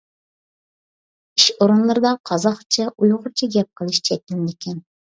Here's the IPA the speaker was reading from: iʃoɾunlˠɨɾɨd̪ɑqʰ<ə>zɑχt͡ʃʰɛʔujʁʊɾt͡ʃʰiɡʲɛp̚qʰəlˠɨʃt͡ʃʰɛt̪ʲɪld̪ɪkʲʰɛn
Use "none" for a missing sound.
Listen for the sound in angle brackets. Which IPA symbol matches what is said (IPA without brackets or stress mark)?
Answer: ɑ